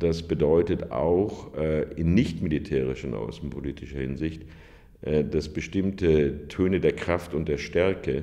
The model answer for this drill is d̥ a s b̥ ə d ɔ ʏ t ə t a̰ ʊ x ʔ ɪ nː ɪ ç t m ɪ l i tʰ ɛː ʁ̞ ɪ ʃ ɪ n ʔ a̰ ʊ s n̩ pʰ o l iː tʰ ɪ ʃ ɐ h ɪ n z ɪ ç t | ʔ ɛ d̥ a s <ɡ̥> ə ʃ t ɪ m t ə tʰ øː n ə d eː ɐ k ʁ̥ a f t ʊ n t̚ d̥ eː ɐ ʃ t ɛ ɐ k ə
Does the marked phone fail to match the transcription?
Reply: yes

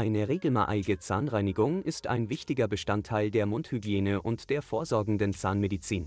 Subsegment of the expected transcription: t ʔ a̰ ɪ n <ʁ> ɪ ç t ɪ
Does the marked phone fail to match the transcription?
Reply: yes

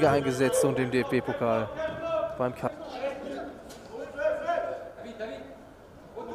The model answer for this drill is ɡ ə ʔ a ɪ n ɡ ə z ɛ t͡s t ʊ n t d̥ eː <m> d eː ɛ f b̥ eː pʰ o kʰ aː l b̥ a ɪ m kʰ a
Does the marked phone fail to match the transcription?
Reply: no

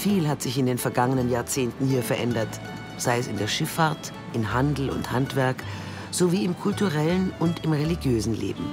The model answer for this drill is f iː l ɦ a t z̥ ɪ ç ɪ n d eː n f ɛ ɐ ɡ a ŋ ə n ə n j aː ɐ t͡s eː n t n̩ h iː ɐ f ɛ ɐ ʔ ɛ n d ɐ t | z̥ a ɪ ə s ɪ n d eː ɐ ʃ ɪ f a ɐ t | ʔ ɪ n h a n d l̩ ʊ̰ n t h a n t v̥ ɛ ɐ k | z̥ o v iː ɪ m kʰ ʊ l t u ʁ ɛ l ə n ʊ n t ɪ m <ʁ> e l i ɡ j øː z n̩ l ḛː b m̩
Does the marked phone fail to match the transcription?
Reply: no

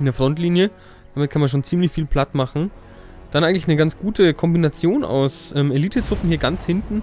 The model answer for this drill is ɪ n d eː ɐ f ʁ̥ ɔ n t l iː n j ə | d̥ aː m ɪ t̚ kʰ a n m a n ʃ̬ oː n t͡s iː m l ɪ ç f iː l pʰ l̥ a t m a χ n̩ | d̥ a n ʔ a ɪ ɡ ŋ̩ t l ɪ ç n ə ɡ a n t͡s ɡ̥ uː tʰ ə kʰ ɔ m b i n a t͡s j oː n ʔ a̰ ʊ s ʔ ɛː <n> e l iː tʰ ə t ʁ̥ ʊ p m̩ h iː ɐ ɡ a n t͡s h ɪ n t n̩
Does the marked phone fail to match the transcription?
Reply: yes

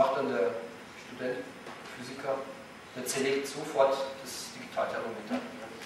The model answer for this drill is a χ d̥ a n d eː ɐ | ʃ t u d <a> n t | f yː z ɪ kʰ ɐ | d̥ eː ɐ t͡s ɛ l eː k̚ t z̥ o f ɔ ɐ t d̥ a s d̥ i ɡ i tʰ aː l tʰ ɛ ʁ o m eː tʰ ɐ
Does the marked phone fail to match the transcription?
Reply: yes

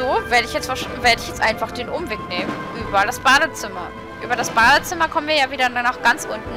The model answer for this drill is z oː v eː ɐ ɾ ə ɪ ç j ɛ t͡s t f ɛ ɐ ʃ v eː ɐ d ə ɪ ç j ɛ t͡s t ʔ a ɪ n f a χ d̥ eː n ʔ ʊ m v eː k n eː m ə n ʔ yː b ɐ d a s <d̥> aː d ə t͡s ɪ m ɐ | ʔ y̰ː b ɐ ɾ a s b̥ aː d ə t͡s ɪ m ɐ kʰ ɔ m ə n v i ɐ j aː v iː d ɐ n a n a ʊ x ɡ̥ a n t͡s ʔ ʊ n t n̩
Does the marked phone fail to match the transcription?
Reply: yes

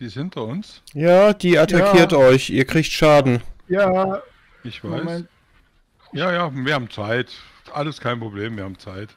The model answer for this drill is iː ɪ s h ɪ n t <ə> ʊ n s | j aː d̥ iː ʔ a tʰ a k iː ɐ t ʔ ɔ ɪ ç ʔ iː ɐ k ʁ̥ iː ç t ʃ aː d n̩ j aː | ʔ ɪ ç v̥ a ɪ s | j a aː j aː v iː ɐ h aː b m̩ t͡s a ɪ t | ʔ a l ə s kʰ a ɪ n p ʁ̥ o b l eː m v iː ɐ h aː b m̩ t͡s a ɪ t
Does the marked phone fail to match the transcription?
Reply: yes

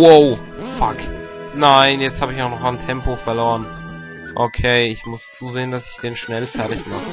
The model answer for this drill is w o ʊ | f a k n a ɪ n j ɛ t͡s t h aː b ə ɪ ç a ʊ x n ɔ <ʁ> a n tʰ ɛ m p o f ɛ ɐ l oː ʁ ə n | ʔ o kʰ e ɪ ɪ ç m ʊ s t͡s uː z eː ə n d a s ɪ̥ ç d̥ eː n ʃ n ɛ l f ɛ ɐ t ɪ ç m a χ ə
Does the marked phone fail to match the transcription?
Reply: yes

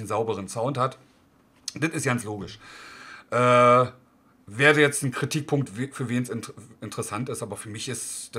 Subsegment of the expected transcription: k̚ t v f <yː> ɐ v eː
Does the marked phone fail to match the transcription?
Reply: no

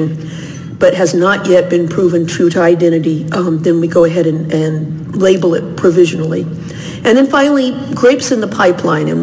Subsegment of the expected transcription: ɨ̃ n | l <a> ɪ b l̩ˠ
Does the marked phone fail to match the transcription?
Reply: yes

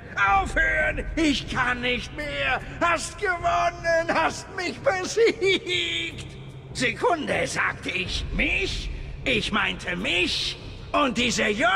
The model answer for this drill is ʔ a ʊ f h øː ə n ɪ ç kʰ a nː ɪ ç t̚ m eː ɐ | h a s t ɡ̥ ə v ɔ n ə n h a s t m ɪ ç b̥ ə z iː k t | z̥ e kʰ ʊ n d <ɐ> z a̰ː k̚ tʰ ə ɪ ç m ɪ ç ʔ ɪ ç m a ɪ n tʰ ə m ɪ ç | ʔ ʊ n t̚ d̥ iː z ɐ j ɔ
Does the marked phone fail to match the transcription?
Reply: yes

